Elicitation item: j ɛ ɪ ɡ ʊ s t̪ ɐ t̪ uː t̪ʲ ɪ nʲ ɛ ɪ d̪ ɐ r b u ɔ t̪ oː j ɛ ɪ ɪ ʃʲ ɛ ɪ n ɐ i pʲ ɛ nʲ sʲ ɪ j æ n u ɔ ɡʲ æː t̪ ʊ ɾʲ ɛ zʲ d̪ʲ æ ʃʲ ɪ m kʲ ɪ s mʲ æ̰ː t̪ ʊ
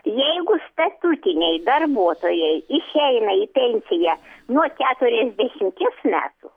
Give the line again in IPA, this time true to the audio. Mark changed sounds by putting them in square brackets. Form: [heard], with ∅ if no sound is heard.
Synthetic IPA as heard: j ɛ ɪ ɡ ʊ s t̪ ɐ t̪ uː t̪ʲ ɪ nʲ ɛ ɪ d̪ ɐ r b u ɔ t̪ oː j ɛ ɪ ɪ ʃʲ ɛ ɪ n ɐ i pʲ ɛ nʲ sʲ ɪ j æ n u ɔ [kʲ] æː t̪ ʊ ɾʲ ɛ zʲ d̪ʲ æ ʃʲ ɪ m kʲ ɪ s mʲ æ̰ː t̪ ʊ